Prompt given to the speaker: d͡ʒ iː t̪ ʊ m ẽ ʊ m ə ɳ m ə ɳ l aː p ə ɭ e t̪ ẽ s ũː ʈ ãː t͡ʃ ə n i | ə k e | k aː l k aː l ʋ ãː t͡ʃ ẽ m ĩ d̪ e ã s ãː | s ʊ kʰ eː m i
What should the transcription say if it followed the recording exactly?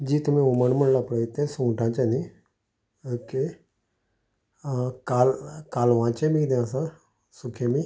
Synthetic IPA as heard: d͡ʒ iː t̪ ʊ m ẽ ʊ m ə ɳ m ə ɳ l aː p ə ɽ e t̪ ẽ s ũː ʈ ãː t͡ʃ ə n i | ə k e | k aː l k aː l ʋ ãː t͡ʃ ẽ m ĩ d̪ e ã s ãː | s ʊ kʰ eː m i